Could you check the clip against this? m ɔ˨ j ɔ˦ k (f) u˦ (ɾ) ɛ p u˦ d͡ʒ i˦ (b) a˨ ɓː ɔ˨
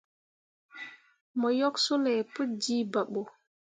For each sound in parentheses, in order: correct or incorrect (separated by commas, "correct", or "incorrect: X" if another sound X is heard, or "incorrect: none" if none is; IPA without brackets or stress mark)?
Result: incorrect: s, incorrect: l, correct